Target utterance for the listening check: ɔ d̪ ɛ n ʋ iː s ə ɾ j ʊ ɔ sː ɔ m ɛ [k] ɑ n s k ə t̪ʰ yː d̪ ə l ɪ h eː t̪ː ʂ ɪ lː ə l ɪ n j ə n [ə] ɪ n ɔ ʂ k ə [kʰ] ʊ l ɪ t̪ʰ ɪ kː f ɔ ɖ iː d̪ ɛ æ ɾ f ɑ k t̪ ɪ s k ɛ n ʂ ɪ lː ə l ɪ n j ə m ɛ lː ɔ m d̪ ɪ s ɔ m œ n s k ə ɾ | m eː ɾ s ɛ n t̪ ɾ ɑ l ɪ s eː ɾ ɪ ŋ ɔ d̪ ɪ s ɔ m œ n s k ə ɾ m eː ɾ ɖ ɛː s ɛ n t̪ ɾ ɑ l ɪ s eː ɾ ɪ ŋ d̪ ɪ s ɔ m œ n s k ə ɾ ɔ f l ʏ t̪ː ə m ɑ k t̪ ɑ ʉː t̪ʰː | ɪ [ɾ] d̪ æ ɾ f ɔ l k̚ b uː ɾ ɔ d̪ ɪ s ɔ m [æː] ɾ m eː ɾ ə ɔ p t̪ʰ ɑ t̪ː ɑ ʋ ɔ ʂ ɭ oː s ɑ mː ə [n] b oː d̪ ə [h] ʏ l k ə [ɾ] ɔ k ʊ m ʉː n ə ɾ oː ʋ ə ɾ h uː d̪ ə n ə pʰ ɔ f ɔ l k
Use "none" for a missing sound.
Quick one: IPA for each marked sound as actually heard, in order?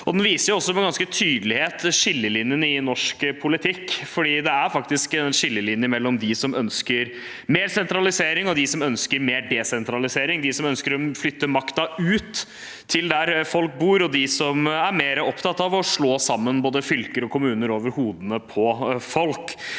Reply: ɡ, ə, pʰ, l, æ, n, f, ɾ

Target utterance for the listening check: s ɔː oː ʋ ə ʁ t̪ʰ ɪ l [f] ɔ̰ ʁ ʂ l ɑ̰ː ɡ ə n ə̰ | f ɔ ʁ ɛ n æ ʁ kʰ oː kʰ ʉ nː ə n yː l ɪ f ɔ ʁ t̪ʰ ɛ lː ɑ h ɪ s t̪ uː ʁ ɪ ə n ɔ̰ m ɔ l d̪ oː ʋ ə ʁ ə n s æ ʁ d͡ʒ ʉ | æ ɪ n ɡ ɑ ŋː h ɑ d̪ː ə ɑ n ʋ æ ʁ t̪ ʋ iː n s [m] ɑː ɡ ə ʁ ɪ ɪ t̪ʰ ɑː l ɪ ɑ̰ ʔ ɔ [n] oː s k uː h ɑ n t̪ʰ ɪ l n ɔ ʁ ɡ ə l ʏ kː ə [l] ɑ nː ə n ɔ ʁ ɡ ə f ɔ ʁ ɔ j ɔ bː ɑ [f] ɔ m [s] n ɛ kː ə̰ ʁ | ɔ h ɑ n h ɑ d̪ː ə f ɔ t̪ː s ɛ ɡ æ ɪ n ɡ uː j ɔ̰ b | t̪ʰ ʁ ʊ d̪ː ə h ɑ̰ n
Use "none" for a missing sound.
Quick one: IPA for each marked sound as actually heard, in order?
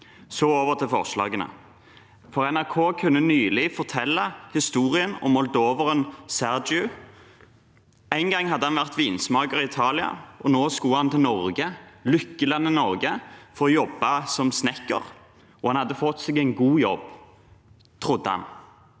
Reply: f, m, n, l, s, s

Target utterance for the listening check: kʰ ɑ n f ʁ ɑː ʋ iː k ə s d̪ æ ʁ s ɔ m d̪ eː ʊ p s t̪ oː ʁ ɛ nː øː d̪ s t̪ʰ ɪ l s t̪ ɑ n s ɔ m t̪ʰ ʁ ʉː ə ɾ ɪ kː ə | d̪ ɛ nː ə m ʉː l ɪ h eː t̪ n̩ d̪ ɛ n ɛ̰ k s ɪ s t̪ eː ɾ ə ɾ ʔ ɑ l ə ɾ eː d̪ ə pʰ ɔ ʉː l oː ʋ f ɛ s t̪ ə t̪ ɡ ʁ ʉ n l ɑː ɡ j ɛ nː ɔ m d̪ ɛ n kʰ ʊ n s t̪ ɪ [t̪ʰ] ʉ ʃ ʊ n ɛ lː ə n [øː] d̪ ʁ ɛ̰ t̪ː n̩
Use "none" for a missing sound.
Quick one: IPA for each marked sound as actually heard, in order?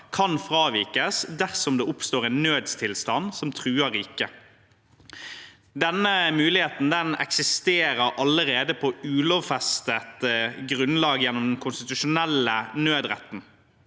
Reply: t̪, øː

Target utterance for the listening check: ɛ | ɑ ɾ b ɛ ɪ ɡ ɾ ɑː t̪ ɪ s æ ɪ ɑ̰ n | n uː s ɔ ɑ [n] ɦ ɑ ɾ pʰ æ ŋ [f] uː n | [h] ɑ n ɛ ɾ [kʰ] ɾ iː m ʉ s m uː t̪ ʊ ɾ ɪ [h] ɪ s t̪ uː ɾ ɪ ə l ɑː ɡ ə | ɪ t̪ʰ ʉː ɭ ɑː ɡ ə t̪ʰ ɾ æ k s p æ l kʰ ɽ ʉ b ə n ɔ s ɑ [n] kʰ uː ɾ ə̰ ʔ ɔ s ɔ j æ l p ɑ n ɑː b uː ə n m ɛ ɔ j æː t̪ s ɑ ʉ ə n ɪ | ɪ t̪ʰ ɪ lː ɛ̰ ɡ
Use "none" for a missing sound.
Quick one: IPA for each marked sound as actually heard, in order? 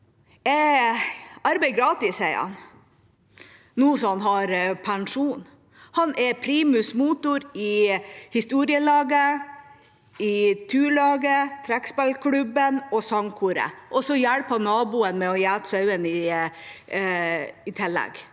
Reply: n, ʂ, h, pʰ, h, ŋ

